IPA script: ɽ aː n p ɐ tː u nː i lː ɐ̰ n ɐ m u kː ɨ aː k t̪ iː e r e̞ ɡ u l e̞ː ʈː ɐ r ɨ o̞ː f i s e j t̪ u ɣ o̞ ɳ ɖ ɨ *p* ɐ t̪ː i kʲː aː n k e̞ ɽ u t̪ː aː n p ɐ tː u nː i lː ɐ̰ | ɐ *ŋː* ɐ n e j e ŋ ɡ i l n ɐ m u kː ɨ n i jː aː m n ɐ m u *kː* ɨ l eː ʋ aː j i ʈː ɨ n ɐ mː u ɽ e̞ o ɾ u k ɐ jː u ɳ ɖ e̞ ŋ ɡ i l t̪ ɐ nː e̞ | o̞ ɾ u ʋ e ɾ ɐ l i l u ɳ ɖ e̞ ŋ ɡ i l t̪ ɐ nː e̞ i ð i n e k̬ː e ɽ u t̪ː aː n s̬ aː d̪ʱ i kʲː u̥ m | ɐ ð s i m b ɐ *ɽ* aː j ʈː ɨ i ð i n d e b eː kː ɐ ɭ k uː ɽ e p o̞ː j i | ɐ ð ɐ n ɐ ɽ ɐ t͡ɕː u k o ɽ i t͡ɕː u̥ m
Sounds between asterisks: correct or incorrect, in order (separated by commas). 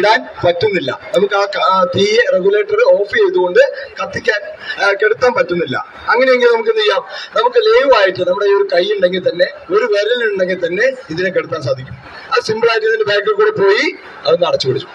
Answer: incorrect, correct, correct, incorrect